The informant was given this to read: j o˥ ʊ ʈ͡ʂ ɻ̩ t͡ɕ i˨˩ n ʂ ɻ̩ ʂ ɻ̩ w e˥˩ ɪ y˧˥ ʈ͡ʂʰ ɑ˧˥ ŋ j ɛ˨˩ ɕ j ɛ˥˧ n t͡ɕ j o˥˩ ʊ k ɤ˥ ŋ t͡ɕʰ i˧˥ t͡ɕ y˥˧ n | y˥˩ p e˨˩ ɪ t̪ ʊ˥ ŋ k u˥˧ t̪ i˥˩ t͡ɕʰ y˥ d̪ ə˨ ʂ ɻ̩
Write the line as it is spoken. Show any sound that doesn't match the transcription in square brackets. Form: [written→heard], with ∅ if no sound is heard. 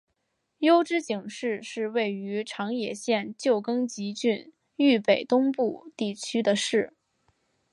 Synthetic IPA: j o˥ ʊ ʈ͡ʂ ɻ̩ t͡ɕ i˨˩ [n→ŋ] ʂ ɻ̩ ʂ ɻ̩ w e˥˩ ɪ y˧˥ ʈ͡ʂʰ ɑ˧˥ ŋ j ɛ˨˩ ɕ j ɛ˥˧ n t͡ɕ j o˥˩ ʊ k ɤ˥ ŋ [t͡ɕʰ→t͡ɕ] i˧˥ t͡ɕ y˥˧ n | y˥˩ p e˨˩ ɪ t̪ ʊ˥ ŋ [k→p] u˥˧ t̪ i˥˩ t͡ɕʰ y˥ d̪ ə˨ ʂ ɻ̩